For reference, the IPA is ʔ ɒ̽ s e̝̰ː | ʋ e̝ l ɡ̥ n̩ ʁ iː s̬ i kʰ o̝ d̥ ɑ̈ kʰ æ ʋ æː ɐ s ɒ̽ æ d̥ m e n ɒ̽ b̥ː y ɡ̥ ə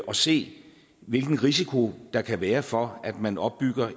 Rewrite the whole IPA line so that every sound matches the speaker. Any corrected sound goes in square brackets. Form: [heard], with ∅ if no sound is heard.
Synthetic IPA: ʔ ɒ̽ s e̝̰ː | ʋ e̝ l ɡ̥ n̩ ʁ [i] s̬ i kʰ o̝ d̥ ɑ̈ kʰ æ ʋ æː ɐ [f] ɒ̽ æ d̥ m [æ] n ɒ̽ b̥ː y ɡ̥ [ɐ]